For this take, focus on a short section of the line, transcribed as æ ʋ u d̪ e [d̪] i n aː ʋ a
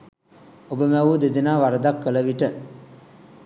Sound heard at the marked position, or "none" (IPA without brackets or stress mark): d̪